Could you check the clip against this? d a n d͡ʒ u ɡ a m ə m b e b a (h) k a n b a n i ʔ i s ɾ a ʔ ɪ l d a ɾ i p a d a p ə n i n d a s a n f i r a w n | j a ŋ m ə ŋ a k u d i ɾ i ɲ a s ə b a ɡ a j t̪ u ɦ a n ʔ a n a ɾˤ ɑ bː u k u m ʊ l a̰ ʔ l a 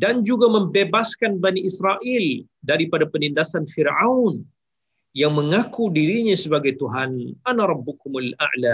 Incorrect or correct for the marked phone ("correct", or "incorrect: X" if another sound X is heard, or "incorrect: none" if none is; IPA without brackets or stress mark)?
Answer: incorrect: s